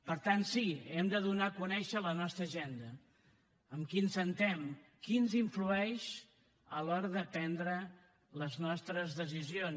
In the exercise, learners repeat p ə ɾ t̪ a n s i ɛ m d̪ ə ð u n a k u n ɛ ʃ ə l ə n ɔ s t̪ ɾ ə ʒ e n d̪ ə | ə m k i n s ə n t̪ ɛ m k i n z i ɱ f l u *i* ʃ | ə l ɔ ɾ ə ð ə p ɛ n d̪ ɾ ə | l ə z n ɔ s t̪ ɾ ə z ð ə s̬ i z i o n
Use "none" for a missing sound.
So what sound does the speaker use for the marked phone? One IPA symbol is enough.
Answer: ɛ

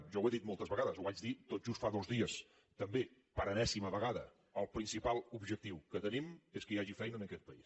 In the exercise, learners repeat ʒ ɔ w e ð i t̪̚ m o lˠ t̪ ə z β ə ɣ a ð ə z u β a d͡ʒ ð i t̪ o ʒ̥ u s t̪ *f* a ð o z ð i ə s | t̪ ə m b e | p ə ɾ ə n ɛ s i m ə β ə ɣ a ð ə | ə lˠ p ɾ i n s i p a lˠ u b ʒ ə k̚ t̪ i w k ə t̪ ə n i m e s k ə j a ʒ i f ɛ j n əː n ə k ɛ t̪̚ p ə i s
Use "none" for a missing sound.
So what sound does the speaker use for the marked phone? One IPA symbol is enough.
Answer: f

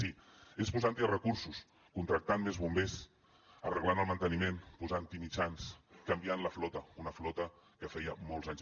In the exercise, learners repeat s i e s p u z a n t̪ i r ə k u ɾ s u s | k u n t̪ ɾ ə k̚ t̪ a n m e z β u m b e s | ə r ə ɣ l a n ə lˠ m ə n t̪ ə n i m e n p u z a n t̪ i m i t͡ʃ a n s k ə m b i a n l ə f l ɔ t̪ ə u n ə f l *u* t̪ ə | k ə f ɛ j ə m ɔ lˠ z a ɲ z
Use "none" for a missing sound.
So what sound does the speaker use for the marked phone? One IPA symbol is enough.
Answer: ɔ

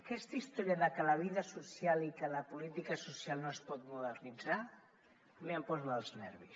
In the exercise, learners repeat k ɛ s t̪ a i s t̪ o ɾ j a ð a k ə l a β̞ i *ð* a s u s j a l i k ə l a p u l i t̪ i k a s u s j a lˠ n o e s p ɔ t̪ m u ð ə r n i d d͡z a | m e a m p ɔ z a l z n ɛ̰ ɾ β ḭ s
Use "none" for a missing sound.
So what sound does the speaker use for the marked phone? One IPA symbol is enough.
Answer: ð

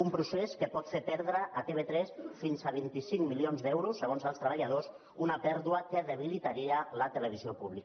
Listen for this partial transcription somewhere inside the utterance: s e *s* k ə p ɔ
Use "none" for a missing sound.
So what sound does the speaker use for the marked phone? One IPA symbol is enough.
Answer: s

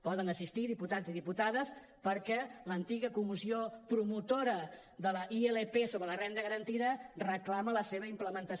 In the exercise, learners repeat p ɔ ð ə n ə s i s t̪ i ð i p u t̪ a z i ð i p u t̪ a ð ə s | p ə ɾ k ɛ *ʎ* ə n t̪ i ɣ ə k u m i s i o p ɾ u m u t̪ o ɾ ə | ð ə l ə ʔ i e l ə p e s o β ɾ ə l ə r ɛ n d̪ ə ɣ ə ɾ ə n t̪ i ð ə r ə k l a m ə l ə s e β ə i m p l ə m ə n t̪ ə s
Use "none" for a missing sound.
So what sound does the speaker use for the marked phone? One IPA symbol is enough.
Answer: l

